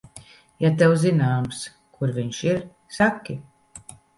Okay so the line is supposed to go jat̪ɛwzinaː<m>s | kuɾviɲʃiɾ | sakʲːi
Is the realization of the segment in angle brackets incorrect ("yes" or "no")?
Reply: no